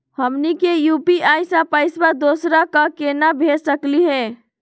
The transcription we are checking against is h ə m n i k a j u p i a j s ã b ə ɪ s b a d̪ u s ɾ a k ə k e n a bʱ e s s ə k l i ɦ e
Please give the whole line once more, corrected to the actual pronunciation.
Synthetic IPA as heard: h ə m n i k e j u p i a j s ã p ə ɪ s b a d̪ o s ɾ a k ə k e n a bʱ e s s ə k l i ɦ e

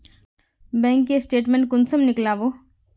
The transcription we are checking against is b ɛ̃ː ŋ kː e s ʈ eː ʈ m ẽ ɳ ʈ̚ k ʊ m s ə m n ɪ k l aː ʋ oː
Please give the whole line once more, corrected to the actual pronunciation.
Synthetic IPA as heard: b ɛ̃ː ŋ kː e s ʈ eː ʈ m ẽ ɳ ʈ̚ k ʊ n s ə m n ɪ k l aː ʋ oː

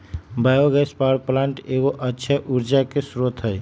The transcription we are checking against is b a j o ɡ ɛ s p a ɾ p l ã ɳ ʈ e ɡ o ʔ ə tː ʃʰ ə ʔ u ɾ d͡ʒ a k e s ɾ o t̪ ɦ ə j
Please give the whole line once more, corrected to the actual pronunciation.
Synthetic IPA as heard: b a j o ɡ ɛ s p a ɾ p l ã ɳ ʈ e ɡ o ʔ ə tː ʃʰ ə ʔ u ɾ d͡ʒ a k e s ɾ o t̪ ɦ ə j

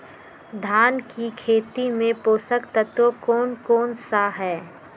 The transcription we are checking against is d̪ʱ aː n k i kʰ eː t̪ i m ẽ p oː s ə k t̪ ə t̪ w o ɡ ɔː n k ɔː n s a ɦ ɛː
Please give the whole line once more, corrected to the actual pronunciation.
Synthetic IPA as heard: d̪ʱ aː n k i kʰ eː t̪ i m ẽ p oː s ə k t̪ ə t̪ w o k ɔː n k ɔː n s a ɦ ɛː

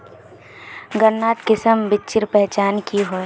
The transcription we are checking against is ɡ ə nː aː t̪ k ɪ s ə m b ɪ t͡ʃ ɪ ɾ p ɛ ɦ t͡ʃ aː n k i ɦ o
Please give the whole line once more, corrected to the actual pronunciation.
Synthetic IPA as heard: ɡ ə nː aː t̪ k ɪ s ə m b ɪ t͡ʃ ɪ ɾ p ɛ ɦ t͡ʃ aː n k i ɦ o

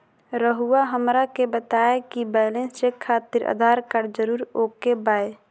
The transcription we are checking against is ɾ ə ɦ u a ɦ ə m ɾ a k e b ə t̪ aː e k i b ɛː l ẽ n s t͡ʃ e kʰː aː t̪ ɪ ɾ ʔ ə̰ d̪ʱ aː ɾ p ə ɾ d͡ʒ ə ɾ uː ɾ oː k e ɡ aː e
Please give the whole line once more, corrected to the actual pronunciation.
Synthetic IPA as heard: ɾ ə ɦ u a ɦ ə m ɾ a k e b ə t̪ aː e k i b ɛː l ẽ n s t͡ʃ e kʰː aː t̪ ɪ ɾ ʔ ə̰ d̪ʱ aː ɾ k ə ɾ d͡ʒ ə ɾ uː ɾ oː k e b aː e

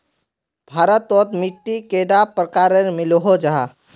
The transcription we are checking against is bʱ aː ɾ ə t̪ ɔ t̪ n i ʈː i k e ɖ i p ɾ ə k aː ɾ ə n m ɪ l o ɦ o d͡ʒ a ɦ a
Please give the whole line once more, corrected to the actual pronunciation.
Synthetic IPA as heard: bʱ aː ɾ ə t̪ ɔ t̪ m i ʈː i k e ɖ a p ɾ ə k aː ɾ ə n m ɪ l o ɦ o d͡ʒ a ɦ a

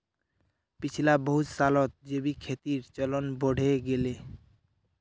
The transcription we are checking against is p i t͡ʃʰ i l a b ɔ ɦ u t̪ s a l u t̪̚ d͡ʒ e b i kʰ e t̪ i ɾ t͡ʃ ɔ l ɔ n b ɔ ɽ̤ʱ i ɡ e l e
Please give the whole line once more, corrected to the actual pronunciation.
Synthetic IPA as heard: p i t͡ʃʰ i l a b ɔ ɦ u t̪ s a l ɔ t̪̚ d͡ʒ e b i kʰ e t̪ i ɾ t͡ʃ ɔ l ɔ n b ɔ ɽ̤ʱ e ɡ e l e

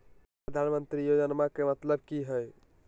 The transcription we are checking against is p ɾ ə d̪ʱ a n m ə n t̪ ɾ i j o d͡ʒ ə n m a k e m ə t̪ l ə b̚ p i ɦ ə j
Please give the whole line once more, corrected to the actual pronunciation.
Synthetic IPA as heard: p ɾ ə d̪ʱ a n m ə n t̪ ɾ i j o d͡ʒ ə n m a k e m ə t̪ l ə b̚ k i ɦ ə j

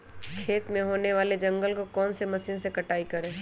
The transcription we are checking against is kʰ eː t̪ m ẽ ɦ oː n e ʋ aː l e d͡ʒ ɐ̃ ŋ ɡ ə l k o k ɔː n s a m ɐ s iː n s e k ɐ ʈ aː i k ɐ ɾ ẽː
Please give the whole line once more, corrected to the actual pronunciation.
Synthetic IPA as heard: kʰ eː t̪ m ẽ ɦ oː n e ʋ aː l e d͡ʒ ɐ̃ ŋ ɡ ə l k o k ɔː n s e m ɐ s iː n s e k ɐ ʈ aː i k ɐ ɾ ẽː

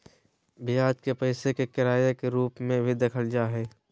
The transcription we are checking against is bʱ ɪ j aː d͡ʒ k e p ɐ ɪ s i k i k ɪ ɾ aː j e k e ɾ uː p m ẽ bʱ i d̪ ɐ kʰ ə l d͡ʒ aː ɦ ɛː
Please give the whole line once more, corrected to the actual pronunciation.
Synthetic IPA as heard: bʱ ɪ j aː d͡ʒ k e p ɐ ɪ s e k e k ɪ ɾ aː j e k e ɾ uː p m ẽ bʱ i d̪ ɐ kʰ ə l d͡ʒ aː ɦ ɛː

